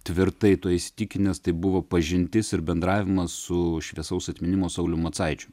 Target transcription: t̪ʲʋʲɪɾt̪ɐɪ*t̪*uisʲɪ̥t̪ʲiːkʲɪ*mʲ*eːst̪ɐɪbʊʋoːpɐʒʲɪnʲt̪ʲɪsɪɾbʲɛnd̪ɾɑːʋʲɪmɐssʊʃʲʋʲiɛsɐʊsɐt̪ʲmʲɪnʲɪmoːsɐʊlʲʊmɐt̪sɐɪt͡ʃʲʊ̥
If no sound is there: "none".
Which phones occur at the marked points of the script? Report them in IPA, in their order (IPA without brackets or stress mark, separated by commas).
t̪, nʲ